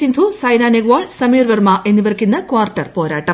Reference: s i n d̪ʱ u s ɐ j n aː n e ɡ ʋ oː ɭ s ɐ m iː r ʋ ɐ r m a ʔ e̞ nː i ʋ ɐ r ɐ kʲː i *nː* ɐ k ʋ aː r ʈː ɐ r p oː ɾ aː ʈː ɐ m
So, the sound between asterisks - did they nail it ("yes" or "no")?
yes